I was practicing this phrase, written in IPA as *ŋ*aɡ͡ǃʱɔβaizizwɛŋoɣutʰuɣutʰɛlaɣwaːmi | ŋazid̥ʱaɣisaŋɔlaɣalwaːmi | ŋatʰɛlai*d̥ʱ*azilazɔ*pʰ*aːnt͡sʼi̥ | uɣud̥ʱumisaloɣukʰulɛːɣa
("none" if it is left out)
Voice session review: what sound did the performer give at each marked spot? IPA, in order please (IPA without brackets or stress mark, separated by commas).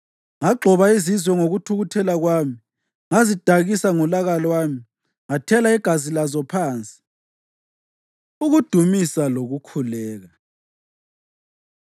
ŋ, ɡ̥ʱ, pʰ